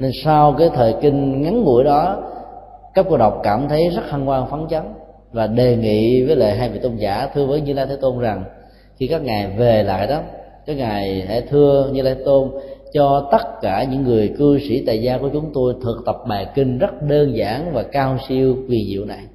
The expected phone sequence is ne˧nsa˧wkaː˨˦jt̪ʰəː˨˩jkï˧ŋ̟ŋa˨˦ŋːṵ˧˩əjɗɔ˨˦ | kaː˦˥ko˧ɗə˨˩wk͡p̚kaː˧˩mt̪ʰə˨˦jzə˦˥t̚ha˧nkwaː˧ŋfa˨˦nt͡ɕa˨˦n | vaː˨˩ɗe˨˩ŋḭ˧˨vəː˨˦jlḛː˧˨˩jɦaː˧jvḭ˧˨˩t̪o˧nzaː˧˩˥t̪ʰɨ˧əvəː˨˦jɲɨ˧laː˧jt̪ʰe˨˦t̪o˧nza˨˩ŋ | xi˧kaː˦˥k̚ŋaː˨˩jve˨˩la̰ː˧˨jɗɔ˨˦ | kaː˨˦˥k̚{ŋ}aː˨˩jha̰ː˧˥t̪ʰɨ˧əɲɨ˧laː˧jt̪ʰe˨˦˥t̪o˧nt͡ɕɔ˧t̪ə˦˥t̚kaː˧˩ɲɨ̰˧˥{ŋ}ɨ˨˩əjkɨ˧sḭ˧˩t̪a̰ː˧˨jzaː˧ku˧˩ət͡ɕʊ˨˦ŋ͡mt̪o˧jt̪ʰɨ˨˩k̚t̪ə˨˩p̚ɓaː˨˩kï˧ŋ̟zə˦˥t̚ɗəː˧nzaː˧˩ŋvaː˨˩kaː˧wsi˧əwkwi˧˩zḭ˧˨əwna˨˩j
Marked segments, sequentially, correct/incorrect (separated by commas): correct, incorrect